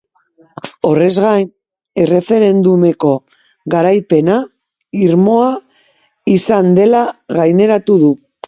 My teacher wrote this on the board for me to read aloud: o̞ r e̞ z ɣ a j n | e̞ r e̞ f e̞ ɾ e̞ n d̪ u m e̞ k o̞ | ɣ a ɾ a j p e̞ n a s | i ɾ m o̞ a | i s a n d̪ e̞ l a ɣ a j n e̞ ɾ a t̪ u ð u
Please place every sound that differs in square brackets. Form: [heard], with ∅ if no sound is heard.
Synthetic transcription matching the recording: o̞ r e̞ z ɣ a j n | e̞ r e̞ f e̞ ɾ e̞ n d̪ u m e̞ k o̞ | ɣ a ɾ a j p e̞ n a [∅] | i ɾ m o̞ a | i s a n d̪ e̞ l a ɣ a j n e̞ ɾ a t̪ u ð u